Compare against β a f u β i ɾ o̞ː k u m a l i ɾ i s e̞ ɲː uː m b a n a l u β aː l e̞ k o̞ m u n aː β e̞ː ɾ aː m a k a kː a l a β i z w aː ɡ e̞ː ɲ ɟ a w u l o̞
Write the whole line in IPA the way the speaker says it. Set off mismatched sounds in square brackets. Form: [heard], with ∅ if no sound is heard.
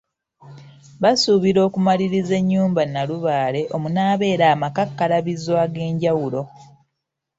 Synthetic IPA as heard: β a [s] u β i ɾ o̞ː k u m a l i ɾ i [z] e̞ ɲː uː m b a n a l u β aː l e̞ [ʔ] o̞ m u n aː β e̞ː ɾ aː m a k a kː a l a β i z w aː ɡ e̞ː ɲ ɟ a w u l o̞